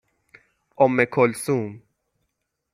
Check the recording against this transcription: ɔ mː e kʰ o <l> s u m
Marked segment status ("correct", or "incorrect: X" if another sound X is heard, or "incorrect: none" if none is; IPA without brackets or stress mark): correct